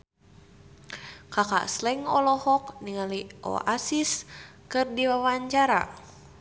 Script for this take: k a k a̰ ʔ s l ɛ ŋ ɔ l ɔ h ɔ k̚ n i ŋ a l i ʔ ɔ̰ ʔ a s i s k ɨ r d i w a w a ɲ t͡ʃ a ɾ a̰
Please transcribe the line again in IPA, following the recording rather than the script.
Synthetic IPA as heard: k a k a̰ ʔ s l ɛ ŋ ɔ l ɔ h ɔ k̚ n i ŋ a l i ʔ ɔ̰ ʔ a s i s k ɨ r d i w a w a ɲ t͡ʃ a ɾ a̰